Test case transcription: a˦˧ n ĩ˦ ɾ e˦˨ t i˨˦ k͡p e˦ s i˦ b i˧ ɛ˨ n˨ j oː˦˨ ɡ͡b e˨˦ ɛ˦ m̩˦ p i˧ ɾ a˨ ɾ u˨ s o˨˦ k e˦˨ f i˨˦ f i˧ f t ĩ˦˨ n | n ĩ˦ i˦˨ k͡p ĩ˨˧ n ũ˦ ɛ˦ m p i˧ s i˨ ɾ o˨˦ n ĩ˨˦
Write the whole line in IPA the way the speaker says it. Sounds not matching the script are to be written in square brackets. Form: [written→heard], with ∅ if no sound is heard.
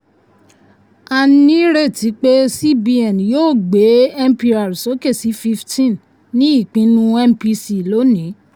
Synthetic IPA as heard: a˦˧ n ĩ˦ ɾ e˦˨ t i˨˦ k͡p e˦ s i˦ b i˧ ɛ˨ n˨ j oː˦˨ ɡ͡b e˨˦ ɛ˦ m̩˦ p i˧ ɾ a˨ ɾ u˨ s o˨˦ k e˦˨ [f→s] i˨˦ f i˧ f t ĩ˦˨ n | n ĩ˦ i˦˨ k͡p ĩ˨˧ n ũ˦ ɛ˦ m p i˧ s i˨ [ɾ→l] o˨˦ n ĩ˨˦

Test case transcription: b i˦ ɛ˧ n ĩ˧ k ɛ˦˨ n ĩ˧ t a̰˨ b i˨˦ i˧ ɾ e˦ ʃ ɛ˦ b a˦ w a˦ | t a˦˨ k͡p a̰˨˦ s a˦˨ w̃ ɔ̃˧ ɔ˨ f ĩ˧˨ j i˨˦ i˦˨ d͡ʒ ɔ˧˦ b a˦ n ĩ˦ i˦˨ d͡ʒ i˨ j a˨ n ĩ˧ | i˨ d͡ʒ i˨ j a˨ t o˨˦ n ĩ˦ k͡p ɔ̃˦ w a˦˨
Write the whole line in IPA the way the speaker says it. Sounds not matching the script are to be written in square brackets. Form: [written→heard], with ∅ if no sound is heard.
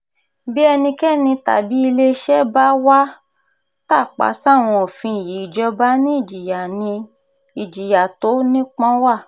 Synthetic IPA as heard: b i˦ ɛ˧ n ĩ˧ k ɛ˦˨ n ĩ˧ t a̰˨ b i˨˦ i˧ [ɾ→l] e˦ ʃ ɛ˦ b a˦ w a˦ | t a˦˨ k͡p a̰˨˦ s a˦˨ w̃ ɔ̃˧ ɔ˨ f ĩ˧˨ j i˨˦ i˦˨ d͡ʒ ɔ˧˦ b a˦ n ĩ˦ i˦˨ d͡ʒ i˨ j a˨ n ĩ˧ | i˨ d͡ʒ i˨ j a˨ t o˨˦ n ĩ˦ k͡p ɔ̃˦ w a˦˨

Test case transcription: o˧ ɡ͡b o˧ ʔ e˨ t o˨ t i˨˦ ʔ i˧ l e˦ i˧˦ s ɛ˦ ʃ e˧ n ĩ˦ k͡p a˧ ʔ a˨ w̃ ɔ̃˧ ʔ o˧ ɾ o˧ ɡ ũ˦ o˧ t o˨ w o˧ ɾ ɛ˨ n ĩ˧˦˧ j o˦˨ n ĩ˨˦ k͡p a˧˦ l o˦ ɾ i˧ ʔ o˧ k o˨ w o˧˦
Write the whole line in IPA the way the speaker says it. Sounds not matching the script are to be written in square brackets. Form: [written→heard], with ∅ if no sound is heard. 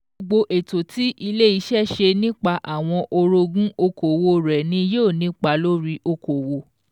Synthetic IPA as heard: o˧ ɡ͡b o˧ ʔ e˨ t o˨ t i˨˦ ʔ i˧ l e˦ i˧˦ [s→ʃ] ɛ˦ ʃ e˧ n ĩ˦ k͡p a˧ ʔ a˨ w̃ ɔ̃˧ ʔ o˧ ɾ o˧ ɡ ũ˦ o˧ [t→k] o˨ w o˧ ɾ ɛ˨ n ĩ˧˦˧ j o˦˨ n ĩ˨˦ k͡p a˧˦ l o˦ ɾ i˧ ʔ o˧ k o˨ w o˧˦

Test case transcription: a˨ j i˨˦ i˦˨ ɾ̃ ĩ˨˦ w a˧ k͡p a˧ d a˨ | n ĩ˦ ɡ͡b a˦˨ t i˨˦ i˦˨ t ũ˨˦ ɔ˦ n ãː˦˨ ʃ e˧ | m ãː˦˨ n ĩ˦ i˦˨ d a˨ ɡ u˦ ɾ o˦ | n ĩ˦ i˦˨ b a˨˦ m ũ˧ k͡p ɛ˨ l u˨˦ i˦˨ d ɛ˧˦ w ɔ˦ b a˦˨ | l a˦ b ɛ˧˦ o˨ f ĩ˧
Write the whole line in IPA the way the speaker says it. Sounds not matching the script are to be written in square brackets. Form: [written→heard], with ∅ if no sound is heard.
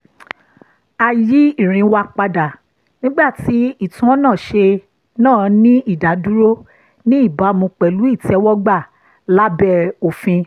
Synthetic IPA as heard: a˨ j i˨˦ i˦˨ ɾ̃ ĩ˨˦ w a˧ k͡p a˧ d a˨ | n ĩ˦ ɡ͡b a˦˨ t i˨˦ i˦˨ t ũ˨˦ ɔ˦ n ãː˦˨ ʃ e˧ | [m→n] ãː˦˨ n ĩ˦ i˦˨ d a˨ [ɡ→d] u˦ ɾ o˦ | n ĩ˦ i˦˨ b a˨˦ m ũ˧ k͡p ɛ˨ l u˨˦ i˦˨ [d→t] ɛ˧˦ w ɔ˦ [b→ɡ͡b] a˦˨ | l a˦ b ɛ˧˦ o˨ f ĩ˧

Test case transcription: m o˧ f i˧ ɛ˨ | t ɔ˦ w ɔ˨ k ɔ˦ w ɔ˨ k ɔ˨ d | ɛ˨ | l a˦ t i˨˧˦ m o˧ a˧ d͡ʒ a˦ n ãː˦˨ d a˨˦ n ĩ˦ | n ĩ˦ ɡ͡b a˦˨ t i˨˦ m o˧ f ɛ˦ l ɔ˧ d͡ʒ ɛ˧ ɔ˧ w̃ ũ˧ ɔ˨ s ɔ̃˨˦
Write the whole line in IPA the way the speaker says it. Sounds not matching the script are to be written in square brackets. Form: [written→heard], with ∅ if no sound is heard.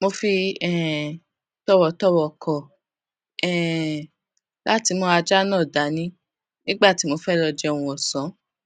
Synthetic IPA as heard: m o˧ f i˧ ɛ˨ | t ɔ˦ w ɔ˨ [k→t] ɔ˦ w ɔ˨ k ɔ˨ [d→∅] | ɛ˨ | l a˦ t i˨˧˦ m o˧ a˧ d͡ʒ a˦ n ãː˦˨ d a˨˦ n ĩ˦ | n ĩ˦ ɡ͡b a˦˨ t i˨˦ m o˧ f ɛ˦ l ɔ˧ d͡ʒ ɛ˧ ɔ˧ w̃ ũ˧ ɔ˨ s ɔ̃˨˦

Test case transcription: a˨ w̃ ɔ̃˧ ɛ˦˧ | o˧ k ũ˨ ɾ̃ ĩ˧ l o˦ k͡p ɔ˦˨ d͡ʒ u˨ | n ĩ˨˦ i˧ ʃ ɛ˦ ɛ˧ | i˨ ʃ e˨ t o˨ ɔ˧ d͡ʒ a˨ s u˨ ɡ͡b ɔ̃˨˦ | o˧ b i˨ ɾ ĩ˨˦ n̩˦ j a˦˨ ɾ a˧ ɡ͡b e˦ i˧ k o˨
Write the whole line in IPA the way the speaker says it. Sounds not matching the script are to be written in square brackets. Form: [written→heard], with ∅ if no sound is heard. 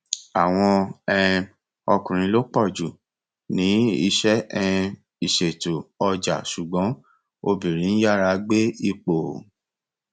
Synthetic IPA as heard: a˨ w̃ ɔ̃˧ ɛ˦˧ | [o˧→ɔ˧] k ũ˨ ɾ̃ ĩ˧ l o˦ k͡p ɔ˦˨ d͡ʒ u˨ | n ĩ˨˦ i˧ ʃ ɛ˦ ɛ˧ | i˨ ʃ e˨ t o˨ ɔ˧ d͡ʒ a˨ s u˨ ɡ͡b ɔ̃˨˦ | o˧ b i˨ ɾ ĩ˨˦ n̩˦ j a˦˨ ɾ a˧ ɡ͡b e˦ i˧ [k→k͡p] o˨

